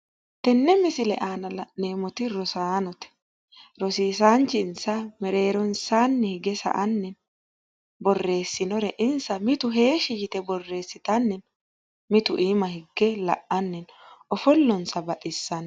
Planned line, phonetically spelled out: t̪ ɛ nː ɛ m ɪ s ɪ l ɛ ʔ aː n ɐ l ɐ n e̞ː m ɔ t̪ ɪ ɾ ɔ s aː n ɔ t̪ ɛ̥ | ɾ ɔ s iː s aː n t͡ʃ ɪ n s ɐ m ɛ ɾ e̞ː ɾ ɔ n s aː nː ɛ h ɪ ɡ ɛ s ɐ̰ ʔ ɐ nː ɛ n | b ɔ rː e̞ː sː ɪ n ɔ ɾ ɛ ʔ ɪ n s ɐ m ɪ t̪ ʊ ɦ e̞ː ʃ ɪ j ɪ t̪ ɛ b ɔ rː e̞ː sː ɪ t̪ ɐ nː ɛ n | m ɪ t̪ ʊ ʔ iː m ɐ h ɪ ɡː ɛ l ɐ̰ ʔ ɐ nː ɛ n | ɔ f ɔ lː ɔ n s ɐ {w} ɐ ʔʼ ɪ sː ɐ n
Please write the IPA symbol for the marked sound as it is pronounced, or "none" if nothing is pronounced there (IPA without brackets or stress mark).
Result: b